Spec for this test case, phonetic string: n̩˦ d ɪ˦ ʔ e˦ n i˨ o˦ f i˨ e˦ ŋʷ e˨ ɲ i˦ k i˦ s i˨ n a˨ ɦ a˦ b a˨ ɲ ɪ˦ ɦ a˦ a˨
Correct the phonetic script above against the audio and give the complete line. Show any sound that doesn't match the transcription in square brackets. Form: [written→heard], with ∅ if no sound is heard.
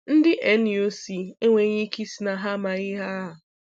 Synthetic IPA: n̩˦ d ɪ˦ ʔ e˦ n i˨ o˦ [f→s] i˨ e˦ ŋʷ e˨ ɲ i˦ k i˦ s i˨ n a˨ ɦ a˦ [b→m] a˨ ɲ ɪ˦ ɦ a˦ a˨

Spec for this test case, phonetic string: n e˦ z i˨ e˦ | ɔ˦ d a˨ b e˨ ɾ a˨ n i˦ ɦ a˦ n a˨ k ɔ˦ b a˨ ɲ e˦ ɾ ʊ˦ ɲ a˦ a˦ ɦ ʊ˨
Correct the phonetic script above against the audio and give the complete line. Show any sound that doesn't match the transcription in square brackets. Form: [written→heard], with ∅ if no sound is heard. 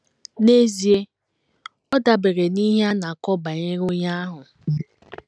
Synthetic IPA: n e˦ z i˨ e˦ | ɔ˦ d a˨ b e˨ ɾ [a˨→e˨] n i˦ ɦ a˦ n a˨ k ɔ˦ b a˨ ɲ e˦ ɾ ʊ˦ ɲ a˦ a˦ ɦ ʊ˨

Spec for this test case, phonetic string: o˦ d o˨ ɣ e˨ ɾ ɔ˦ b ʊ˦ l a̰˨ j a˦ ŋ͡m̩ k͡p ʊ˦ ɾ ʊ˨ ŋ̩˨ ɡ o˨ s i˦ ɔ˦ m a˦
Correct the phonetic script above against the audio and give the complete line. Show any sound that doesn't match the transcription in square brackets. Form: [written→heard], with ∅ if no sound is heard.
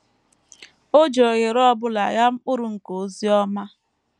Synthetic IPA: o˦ [d→d͡ʒ] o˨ ɣ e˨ ɾ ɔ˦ b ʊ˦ l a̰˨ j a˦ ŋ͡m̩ k͡p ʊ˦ ɾ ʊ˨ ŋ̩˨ [ɡ→k] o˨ [s→z] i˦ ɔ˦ m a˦

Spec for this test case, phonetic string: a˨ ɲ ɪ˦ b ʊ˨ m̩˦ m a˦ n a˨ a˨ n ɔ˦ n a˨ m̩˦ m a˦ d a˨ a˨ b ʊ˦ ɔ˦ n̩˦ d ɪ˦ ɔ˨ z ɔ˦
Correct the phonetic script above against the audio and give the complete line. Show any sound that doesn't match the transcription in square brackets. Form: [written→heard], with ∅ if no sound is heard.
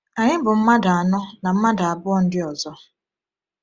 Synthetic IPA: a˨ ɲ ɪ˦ b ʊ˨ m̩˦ m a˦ [n→d] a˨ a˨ n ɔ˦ n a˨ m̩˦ m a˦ d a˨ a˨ b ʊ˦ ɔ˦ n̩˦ d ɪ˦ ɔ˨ z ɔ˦

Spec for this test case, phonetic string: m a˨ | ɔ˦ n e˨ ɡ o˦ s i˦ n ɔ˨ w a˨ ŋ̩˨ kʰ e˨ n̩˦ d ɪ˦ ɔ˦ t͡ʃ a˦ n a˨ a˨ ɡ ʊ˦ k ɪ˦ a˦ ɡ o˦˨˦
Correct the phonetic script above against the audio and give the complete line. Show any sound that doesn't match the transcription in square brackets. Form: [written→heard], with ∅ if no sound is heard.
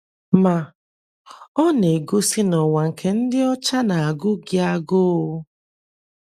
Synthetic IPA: m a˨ | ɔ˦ n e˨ ɡ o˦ s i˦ n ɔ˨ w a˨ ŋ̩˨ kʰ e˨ n̩˦ d ɪ˦ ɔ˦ t͡ʃ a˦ n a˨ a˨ ɡ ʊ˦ [k→ɡ] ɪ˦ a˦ ɡ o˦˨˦

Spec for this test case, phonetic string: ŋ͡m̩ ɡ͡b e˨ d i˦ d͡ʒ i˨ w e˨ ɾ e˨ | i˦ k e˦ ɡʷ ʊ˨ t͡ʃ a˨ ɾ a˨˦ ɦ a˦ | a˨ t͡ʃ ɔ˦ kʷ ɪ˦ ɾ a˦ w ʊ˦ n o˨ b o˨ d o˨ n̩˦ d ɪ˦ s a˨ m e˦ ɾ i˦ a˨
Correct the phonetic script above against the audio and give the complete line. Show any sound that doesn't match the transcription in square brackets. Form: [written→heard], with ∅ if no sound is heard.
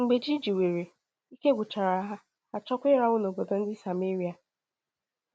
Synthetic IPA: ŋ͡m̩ ɡ͡b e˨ [d→d͡ʒ] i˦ d͡ʒ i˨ w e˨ ɾ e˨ | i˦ k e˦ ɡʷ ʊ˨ t͡ʃ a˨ ɾ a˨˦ ɦ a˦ | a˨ t͡ʃ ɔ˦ kʷ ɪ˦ ɾ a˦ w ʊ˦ n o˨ b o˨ d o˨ n̩˦ d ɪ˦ s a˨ m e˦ ɾ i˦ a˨

